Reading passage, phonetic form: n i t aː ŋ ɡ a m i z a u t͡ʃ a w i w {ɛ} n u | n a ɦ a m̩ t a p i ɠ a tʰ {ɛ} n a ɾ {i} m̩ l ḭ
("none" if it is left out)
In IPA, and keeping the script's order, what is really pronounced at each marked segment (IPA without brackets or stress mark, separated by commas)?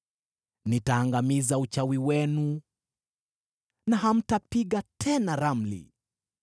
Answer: ɛ, ɛ, a